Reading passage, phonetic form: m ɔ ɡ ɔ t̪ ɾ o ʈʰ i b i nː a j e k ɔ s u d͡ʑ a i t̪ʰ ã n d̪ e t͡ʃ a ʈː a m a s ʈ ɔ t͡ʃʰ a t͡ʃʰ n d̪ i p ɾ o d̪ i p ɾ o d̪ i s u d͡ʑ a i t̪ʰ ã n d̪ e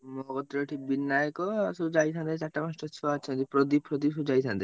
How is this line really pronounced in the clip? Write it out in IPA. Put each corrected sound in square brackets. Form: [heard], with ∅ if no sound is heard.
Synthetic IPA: m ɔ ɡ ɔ t̪ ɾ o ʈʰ i b i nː a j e k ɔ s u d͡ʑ a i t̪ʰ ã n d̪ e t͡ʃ a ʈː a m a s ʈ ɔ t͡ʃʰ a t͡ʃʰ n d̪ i p ɾ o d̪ i p ɾ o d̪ i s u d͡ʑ a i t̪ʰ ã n d̪ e

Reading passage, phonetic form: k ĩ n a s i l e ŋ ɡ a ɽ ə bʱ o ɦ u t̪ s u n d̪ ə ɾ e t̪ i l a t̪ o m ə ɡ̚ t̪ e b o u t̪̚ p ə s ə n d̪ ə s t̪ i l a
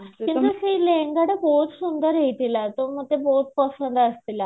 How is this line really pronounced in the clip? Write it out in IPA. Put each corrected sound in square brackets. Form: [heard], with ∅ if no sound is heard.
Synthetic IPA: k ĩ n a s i l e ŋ ɡ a ɽ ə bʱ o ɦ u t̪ s u n d̪ ə ɾ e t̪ i l a t̪ o m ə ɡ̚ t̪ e b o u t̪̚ p ə s ə n d̪ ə s t̪ i l a

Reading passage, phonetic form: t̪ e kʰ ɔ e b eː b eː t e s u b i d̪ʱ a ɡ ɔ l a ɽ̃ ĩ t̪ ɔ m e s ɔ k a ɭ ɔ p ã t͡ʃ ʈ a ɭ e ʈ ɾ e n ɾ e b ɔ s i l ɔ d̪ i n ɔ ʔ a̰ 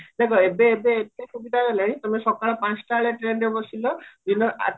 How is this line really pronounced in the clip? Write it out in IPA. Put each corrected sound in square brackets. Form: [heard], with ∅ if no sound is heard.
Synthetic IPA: [d̪] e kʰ ɔ e b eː b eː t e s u b i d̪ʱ a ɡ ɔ l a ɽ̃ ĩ t̪ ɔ m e s ɔ k a ɭ ɔ p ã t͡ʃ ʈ a ɭ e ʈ ɾ e n ɾ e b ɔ s i l ɔ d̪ i n ɔ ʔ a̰

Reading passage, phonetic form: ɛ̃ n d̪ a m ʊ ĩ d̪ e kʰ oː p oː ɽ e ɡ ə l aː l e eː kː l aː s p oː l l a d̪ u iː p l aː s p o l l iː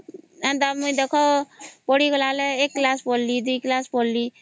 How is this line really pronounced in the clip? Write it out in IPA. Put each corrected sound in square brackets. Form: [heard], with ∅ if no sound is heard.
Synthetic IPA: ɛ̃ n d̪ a m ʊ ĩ d̪ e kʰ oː p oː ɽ [i] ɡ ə l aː l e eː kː l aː s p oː l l [i] d̪ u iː [k] l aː s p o l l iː

